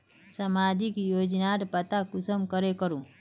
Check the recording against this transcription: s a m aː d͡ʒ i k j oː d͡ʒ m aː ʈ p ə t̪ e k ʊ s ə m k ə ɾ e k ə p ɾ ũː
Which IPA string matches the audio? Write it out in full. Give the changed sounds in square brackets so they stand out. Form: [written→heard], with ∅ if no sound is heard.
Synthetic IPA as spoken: s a m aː d͡ʒ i k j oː d͡ʒ [m→n] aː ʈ p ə t̪ [e→a] k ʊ s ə m k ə ɾ e k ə [p→∅] ɾ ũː